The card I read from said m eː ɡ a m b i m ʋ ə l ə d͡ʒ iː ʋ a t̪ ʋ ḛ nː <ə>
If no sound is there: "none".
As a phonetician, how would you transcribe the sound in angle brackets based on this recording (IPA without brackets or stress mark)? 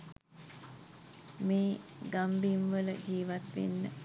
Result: ə